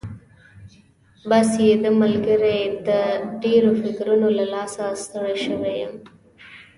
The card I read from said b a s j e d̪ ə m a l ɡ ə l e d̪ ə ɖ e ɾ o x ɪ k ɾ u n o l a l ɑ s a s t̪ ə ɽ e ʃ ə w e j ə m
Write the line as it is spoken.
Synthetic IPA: b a s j e d̪ ə m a l ɡ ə ɾ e d̪ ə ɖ e ɾ o f ɪ k ɾ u n o l a l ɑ s a s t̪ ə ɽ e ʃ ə w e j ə m